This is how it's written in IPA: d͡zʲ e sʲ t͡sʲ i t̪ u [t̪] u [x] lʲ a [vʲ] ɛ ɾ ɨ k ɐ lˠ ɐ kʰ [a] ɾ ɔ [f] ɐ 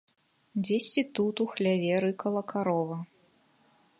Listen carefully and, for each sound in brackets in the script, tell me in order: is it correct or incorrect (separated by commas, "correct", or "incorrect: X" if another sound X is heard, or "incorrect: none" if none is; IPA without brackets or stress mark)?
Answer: correct, correct, correct, correct, incorrect: v